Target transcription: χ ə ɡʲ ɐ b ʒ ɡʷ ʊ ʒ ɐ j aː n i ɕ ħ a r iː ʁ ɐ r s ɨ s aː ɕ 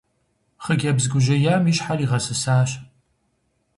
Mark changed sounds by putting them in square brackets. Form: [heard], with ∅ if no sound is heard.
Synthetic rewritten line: χ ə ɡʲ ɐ b [z] ɡʷ ʊ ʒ ɐ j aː [m] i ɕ ħ a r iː ʁ ɐ [∅] s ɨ s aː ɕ

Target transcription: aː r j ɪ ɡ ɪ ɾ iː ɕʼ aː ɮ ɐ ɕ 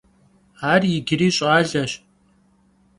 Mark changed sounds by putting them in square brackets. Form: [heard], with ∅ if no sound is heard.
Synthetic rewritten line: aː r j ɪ ɡ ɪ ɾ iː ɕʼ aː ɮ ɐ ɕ

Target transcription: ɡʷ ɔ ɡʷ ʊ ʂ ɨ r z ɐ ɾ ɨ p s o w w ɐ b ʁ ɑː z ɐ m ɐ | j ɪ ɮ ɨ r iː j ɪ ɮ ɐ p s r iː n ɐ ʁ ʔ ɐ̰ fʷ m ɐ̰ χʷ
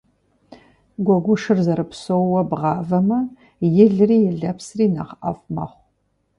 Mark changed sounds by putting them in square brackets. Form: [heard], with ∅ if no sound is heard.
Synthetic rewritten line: ɡʷ ɔ ɡʷ ʊ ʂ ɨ r z ɐ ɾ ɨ p s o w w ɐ b ʁ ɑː [v] ɐ m ɐ | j ɪ ɮ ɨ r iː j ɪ ɮ ɐ p s r iː n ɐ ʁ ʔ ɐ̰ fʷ m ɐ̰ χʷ

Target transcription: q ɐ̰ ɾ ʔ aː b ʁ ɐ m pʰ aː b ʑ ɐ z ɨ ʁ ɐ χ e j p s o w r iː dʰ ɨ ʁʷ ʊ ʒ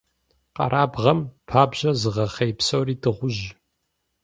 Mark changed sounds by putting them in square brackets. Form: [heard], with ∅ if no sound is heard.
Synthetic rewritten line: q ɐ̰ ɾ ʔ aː b ʁ ɐ m pʰ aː b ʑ ɐ z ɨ ʁ ɐ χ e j p s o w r iː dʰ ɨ ʁʷ ʊ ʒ

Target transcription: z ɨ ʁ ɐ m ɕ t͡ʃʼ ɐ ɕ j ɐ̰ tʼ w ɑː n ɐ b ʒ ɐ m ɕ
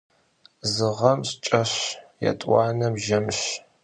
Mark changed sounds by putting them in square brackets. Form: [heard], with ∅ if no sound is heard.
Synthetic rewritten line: z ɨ ʁ ɐ m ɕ t͡ʃʼ ɐ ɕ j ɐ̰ tʼ w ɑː n ɐ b ʒ ɐ m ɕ

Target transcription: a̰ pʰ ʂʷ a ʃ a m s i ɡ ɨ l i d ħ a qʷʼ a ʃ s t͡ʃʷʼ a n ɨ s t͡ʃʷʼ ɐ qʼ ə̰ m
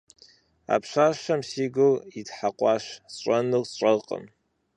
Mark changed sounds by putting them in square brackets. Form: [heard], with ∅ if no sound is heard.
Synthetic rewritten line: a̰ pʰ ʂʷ a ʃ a m s i ɡ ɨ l i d ħ a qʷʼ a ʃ s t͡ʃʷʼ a n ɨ s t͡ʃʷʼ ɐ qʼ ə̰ m

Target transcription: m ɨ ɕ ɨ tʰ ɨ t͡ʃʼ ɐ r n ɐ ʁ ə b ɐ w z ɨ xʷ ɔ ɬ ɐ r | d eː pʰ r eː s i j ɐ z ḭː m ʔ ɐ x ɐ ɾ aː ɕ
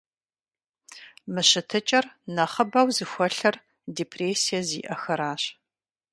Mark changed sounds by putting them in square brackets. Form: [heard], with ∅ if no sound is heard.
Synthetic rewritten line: m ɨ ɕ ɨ tʰ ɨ t͡ʃʼ ɐ r n ɐ [χ] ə b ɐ w z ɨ xʷ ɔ ɬ ɐ r | d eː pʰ r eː s i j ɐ z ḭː [∅] ʔ ɐ x ɐ ɾ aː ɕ

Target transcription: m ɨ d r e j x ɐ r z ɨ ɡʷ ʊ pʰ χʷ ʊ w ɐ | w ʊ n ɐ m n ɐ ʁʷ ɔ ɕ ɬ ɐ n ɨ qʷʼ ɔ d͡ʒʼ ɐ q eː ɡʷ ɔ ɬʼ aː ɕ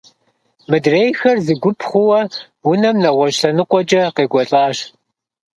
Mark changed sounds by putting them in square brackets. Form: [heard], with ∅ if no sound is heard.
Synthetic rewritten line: m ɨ d r e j x ɐ r z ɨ ɡʷ ʊ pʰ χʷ ʊ w ɐ | w ʊ n ɐ m n ɐ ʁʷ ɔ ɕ ɬ ɐ n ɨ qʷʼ ɔ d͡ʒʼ ɐ q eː ɡʷ ɔ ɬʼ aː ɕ

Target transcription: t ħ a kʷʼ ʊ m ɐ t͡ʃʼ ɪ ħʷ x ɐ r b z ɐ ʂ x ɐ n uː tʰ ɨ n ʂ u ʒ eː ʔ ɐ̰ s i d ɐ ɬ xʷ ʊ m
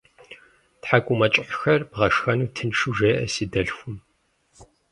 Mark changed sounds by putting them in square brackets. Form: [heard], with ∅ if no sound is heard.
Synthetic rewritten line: t ħ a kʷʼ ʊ m ɐ t͡ʃʼ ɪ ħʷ x ɐ r b [ʁ] ɐ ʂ x ɐ n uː tʰ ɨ n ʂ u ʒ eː ʔ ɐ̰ s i d ɐ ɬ xʷ ʊ m

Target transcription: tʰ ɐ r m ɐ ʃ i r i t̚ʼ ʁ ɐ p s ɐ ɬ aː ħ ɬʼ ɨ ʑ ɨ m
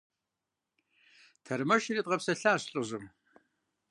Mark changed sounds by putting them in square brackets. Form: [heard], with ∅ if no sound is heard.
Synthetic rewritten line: tʰ ɐ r m ɐ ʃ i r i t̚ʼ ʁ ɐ p s ɐ ɬ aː [ɕ] ɬʼ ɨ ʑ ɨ m

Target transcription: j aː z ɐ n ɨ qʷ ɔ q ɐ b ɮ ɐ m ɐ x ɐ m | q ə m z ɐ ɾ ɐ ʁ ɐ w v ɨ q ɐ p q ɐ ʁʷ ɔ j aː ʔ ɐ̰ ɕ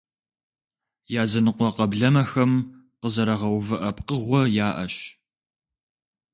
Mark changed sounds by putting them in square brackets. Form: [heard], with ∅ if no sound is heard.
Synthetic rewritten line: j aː z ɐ n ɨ qʷ ɔ q ɐ b ɮ ɐ m ɐ x ɐ m | q ə [∅] z ɐ ɾ ɐ ʁ ɐ w v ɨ [ʔ] ɐ p q [ə] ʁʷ ɔ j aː ʔ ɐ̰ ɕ

